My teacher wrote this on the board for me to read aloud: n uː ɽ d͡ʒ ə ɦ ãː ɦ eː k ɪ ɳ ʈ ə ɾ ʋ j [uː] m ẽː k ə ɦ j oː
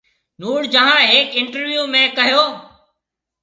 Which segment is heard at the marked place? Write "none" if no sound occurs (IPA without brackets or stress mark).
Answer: uː